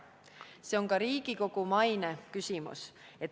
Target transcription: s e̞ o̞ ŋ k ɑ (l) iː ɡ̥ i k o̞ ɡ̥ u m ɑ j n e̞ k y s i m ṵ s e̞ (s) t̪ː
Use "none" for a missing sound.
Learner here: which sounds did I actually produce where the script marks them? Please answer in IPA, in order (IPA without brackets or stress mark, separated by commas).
ɾ, none